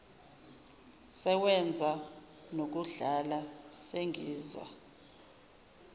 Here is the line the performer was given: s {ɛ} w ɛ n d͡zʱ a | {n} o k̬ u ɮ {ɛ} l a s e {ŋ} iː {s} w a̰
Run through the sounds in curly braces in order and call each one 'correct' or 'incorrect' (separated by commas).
correct, correct, incorrect, correct, incorrect